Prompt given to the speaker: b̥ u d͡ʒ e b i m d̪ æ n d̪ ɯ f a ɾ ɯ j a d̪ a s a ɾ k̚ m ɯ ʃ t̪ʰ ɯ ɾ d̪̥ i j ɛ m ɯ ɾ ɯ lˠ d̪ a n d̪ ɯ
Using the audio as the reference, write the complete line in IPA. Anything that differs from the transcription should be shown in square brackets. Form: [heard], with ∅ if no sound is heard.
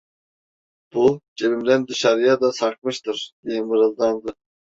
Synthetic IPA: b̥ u d͡ʒ e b i m d̪ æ n d̪ ɯ [ʃ] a ɾ ɯ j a d̪ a s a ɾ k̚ m ɯ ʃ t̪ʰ ɯ ɾ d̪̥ i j ɛ m ɯ ɾ ɯ lˠ d̪ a n d̪ ɯ

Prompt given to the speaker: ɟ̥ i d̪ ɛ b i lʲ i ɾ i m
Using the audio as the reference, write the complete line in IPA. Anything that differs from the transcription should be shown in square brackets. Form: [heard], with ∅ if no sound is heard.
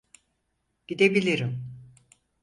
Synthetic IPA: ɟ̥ i d̪ [e] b i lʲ i ɾ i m

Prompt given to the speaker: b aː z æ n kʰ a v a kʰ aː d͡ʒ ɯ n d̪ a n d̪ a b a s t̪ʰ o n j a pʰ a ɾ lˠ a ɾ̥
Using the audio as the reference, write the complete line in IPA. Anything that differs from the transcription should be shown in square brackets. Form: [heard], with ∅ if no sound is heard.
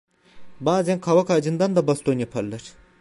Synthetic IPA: b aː z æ n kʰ a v a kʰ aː d͡ʒ ɯ n d̪ a n d̪ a b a s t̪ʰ o n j a pʰ a ɾ lˠ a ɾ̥

